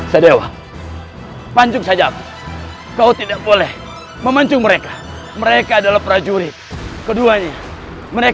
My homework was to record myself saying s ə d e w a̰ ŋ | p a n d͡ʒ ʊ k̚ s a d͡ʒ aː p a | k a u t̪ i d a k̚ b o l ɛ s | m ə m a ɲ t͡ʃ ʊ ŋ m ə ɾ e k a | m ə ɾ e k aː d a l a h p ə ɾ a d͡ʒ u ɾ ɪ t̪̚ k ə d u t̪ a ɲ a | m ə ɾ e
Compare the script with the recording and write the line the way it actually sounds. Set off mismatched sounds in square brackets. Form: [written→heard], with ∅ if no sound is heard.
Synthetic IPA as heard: s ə d e w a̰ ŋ | p a [n→ɲ] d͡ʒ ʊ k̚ s a d͡ʒ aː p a | k a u t̪ i d a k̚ b o l ɛ [s→h] | m ə m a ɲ t͡ʃ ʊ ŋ m ə ɾ e k a | m ə ɾ e k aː d a l a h p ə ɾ a d͡ʒ u ɾ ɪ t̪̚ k ə d u [t̪→∅] a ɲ a | m ə ɾ e